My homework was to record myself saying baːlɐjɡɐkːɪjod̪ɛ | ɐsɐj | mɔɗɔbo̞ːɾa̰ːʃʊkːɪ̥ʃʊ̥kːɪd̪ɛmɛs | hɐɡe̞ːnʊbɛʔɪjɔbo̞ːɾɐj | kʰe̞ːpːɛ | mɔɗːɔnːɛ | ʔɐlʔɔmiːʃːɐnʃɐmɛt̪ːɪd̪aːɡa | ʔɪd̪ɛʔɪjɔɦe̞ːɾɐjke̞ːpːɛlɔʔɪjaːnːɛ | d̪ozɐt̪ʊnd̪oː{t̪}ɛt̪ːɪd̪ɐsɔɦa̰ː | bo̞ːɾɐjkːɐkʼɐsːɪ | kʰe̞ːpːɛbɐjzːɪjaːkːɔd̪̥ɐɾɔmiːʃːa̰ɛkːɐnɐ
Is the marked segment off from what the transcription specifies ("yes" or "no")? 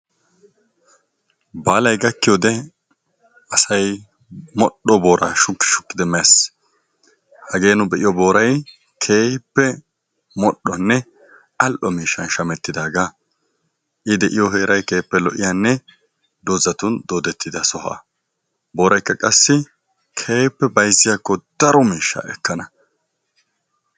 yes